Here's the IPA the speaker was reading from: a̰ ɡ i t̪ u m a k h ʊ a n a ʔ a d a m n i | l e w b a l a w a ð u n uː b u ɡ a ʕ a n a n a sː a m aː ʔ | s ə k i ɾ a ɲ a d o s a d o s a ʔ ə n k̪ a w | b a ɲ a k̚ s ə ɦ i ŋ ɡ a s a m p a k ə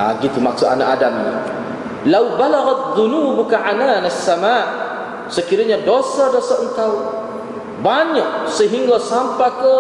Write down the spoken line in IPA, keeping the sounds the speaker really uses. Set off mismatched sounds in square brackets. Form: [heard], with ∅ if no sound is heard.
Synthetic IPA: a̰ ɡ i t̪ u m a k [s] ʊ a n a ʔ a d a m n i | l [a] w b a l a [ɣ] a ð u n uː b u [k] a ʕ a n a n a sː a m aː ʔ | s ə k i ɾ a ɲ a d o s a d o s a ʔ ə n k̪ a w | b a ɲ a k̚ s ə ɦ i ŋ ɡ a s a m p a k ə